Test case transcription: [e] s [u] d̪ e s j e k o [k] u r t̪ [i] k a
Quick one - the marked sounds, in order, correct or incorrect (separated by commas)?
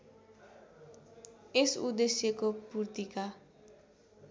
correct, correct, incorrect, correct